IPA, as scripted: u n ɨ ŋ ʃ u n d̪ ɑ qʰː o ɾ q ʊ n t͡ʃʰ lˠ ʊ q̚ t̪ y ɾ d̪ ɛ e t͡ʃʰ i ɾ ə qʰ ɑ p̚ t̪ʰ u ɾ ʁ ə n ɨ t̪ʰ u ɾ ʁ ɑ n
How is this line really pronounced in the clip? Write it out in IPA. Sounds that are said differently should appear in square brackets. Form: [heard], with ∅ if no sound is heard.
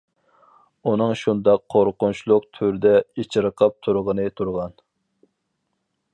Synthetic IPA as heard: u n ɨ ŋ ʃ u n d̪ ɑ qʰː o ɾ q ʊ n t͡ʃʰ lˠ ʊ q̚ [t̪ʰ] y ɾ d̪ ɛ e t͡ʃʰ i ɾ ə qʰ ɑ p̚ t̪ʰ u ɾ ʁ ə n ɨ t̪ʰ u ɾ ʁ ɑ n